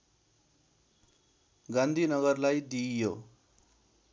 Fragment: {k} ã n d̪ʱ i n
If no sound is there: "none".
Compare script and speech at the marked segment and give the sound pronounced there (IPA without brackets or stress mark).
ɡ